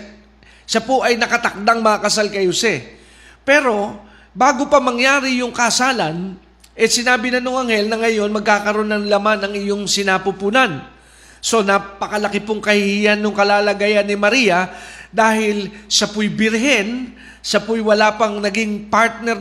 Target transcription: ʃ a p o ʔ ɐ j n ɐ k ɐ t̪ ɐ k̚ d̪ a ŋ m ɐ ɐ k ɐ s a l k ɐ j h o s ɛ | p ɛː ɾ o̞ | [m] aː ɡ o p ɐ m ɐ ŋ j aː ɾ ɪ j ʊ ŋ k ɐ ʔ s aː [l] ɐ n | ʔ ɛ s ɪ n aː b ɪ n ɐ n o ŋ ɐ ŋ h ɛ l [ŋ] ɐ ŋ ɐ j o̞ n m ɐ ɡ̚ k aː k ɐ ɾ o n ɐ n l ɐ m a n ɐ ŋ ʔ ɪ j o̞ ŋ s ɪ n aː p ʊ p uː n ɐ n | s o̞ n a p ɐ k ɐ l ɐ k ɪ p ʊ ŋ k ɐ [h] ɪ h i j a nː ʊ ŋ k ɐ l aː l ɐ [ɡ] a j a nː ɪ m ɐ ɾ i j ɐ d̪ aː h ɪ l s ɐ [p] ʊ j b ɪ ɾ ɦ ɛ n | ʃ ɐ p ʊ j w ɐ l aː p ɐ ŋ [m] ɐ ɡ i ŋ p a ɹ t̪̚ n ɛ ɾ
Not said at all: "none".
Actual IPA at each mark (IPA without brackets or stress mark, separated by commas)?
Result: b, l, n, h, ɡ, p, n